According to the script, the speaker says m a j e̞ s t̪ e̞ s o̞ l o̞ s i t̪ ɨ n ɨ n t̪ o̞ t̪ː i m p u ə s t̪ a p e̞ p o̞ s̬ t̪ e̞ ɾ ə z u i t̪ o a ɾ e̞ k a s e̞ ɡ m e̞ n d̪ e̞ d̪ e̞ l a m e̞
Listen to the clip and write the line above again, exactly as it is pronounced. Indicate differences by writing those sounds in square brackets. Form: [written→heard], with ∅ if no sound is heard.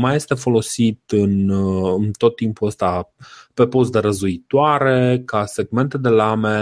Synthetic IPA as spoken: m a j e̞ s t̪ e̞ [s→f] o̞ l o̞ s i t̪ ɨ n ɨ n t̪ o̞ t̪ː i m p u ə s t̪ a p e̞ p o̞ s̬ [t̪→d̪] e̞ ɾ ə z u i t̪ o a ɾ e̞ k a s e̞ ɡ m e̞ n [d̪→t̪] e̞ d̪ e̞ l a m e̞